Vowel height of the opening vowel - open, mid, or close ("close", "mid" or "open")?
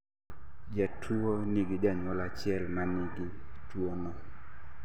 open